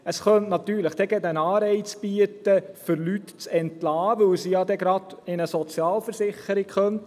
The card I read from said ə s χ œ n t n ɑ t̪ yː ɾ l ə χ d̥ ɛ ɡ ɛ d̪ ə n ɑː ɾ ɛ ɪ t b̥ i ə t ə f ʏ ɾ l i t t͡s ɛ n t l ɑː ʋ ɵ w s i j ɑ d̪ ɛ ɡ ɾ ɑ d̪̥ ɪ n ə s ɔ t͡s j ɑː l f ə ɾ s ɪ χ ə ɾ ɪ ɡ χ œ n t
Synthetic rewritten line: ə s χ œ n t n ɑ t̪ yː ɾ l ə χ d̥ ɛ ɡ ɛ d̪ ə n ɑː ɾ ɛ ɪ t͡s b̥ i ə t ə f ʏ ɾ l y t t͡s ɛ n t l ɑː ʋ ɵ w s i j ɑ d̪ ɛ ɡ ɾ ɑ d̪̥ ɪ n ə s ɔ t͡s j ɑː l f ə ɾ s ɪ χ ə ɾ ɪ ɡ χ œ n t